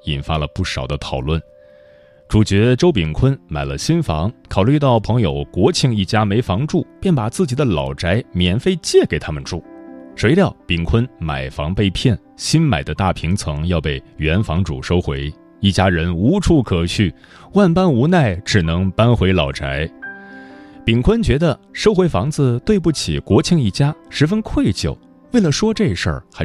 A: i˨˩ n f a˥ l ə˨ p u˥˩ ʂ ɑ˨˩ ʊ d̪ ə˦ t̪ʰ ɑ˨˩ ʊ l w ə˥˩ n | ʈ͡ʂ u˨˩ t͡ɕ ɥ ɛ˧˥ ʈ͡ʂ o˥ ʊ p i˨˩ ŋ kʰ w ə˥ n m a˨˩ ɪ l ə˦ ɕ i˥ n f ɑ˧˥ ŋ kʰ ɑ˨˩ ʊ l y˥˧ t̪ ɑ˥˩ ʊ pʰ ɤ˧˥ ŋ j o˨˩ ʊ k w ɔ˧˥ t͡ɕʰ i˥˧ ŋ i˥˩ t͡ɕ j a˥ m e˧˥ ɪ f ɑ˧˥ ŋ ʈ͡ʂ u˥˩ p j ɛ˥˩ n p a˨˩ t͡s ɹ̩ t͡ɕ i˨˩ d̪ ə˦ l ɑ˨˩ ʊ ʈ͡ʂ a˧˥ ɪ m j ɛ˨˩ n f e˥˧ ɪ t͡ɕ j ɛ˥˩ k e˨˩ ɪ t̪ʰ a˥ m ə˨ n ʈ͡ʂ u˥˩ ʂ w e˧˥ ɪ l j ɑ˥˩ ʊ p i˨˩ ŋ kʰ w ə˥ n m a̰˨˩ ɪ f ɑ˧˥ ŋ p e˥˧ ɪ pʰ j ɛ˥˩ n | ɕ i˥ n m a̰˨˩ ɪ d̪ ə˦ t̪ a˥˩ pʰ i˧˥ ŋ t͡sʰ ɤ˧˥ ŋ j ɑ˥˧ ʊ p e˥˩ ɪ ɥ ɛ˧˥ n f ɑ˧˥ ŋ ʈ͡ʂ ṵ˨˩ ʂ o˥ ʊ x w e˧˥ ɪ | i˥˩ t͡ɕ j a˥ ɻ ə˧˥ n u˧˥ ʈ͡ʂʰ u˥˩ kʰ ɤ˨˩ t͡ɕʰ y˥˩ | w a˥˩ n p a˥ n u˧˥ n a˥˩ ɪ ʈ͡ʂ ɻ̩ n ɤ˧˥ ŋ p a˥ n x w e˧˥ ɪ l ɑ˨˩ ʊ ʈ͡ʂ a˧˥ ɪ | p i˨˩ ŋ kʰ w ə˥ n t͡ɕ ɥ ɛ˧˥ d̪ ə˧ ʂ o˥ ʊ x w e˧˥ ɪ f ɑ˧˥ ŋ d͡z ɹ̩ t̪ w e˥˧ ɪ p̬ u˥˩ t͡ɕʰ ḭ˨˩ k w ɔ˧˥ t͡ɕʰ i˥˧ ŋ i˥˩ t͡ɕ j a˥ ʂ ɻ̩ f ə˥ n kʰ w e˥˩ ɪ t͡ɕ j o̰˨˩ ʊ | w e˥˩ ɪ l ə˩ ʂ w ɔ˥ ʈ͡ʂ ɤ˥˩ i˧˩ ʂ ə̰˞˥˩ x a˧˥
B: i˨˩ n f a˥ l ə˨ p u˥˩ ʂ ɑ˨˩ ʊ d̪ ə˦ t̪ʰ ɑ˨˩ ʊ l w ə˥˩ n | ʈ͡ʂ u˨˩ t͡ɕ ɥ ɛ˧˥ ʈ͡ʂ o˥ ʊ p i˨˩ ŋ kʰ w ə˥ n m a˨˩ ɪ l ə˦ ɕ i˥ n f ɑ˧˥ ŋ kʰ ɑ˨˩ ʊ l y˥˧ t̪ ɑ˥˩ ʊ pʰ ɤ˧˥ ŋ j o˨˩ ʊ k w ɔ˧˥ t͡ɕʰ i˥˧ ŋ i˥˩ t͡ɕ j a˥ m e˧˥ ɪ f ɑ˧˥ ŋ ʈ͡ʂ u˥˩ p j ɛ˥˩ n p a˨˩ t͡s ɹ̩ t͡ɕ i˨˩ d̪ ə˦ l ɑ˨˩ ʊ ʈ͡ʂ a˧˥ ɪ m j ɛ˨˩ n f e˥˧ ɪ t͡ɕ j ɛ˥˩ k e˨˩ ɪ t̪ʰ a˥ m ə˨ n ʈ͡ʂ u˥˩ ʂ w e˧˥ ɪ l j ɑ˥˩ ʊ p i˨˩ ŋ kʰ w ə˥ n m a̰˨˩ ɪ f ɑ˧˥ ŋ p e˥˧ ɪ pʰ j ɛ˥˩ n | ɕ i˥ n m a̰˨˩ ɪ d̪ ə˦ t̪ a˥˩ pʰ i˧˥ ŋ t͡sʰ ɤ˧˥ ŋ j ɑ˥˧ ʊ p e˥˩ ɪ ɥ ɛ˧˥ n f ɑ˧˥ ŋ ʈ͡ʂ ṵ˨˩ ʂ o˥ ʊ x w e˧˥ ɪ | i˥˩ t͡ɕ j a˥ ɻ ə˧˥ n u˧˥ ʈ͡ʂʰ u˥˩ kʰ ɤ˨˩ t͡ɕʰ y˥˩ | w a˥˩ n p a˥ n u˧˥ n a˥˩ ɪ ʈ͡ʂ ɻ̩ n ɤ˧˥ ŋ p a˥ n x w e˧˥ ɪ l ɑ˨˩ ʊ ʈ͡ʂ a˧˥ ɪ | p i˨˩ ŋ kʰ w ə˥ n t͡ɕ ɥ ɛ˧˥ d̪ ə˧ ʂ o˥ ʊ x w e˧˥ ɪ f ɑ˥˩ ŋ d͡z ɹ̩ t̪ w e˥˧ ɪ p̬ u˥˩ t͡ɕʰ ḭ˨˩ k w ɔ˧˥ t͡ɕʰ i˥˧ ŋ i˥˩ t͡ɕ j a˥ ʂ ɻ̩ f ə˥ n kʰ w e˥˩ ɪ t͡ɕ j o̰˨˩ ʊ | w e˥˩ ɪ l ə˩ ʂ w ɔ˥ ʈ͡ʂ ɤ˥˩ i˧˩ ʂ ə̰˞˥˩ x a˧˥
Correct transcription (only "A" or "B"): A